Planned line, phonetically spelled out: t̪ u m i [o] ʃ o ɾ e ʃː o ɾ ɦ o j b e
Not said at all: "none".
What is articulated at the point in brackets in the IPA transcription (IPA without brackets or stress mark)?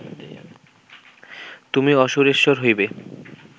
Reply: ɔ